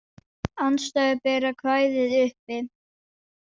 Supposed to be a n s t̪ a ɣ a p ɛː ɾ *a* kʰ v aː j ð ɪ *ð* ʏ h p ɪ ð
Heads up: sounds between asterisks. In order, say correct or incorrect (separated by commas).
correct, correct